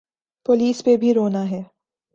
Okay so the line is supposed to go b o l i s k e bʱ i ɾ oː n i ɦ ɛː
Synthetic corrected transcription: p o l iː s p e bʱ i ɾ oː n a ɦ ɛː